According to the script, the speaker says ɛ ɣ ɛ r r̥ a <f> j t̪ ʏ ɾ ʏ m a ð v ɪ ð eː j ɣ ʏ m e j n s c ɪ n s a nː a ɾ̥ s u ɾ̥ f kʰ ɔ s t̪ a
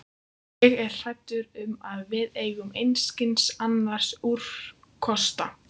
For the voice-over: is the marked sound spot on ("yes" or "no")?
no